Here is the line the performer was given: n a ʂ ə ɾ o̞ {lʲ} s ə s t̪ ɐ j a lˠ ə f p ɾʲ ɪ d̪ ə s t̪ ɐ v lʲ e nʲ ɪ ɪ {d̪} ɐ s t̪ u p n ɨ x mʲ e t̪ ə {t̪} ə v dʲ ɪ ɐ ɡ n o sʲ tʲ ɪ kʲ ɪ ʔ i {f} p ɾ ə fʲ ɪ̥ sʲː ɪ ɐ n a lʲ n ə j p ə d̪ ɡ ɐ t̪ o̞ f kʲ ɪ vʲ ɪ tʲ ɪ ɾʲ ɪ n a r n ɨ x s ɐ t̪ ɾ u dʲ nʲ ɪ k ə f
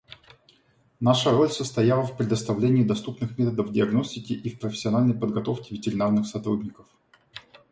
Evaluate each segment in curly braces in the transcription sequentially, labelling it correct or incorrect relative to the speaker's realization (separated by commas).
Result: correct, correct, incorrect, correct